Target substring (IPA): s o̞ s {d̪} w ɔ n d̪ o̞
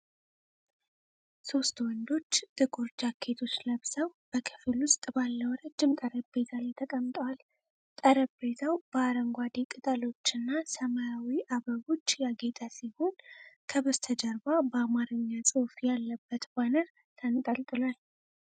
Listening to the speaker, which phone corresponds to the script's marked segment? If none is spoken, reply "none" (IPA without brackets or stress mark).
t̪